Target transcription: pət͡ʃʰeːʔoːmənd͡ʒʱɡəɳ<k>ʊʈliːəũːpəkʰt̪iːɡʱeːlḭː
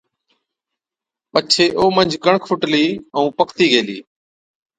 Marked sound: incorrect: kʰ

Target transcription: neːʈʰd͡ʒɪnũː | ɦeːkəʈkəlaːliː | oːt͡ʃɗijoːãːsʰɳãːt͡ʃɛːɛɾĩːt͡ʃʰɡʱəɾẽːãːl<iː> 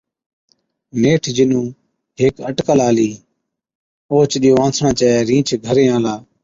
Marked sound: incorrect: aː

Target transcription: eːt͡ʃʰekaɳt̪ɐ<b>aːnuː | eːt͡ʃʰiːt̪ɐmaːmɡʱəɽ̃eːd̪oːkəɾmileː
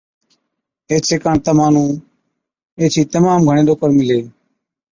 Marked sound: incorrect: m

